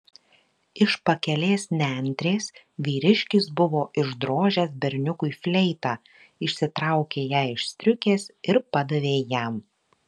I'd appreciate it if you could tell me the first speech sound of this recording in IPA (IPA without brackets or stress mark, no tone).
ɪ